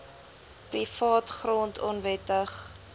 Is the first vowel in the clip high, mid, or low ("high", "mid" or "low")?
high